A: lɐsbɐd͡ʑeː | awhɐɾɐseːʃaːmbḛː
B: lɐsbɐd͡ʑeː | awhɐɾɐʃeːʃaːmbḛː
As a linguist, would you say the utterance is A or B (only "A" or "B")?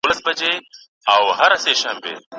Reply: A